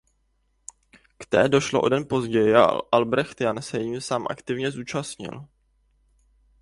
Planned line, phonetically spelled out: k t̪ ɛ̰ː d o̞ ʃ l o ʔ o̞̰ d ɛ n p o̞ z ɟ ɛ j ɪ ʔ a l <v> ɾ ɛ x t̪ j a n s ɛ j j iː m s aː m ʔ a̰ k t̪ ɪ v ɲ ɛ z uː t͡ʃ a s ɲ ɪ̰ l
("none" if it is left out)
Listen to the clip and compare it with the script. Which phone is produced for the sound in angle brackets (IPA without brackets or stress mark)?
b